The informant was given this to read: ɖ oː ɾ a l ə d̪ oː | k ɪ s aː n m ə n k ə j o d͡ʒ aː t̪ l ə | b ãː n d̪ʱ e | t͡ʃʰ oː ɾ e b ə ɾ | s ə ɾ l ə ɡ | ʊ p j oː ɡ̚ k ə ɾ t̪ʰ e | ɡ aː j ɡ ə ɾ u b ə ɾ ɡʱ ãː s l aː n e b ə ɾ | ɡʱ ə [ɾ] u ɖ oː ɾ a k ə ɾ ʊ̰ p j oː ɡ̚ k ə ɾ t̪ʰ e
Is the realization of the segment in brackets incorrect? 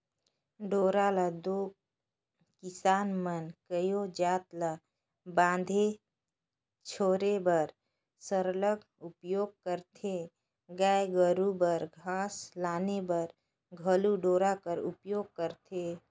yes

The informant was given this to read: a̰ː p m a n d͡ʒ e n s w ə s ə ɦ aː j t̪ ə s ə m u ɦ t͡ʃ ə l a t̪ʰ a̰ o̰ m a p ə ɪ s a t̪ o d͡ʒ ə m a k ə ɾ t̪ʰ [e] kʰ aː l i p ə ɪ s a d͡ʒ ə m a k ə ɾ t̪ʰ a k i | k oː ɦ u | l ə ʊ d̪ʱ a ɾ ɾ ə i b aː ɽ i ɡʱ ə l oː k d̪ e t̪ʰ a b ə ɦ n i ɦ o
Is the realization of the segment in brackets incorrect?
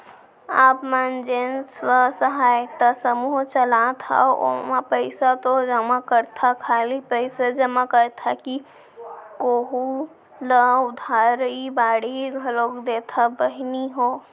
yes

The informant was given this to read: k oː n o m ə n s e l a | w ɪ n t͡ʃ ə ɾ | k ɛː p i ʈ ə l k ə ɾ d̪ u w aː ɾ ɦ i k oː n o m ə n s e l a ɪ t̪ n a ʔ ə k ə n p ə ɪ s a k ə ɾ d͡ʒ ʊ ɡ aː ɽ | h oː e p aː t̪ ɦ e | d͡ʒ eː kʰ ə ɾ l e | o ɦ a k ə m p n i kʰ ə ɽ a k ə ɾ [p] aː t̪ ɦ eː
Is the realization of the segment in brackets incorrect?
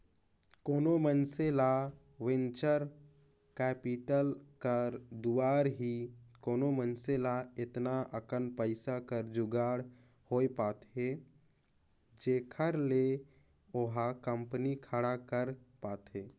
no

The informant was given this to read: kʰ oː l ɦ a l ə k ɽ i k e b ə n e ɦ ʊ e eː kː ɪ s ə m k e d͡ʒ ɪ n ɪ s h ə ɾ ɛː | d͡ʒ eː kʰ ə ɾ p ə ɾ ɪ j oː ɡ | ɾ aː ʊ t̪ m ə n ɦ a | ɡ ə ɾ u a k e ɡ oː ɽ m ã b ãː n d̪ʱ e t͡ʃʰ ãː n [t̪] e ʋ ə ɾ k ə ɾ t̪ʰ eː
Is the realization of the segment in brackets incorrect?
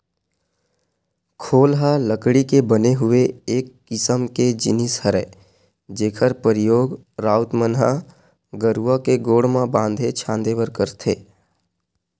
yes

